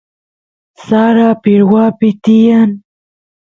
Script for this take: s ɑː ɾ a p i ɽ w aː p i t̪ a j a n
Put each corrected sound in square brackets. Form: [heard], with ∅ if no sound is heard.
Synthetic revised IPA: s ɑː ɾ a p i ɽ w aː p i t̪ [i] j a n

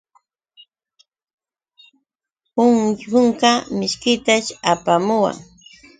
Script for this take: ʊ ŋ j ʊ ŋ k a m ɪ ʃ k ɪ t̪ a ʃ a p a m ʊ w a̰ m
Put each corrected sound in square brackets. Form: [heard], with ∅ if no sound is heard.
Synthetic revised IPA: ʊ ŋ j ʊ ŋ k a m ɪ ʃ k ɪ t̪ a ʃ a p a m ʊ w a̰ [ŋ]

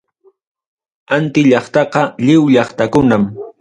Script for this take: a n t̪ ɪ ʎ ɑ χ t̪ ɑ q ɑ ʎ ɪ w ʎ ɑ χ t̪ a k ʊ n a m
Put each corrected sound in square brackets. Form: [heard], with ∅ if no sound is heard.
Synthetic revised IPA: a n t̪ ɪ ʎ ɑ χ t̪ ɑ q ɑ ʎ ɪ w ʎ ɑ χ t̪ a k ʊ n a m

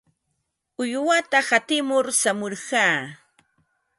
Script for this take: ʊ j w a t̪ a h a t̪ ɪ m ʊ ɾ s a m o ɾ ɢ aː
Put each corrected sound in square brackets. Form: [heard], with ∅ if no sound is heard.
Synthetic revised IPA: ʊ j w a t̪ a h a t̪ ɪ m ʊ ɾ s a m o ɾ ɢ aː

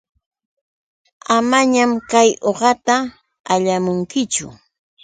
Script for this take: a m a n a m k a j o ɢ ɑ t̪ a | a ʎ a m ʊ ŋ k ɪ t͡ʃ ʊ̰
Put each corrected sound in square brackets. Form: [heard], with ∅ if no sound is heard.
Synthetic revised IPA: a m a [ɲ] a m k a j o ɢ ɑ t̪ a | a ʎ a m ʊ ŋ k ɪ t͡ʃ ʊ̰

